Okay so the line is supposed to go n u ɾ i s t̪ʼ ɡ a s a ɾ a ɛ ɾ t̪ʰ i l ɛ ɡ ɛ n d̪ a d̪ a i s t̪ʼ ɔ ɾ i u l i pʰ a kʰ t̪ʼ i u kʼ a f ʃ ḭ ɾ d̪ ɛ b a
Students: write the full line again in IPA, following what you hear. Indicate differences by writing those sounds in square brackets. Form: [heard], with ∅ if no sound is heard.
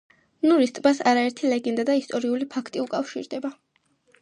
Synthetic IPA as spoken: n u ɾ i s t̪ʼ [b] a s a ɾ a ɛ ɾ t̪ʰ i l ɛ ɡ ɛ n d̪ a d̪ a i s t̪ʼ ɔ ɾ i u l i pʰ a kʰ t̪ʼ i u kʼ a f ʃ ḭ ɾ d̪ ɛ b a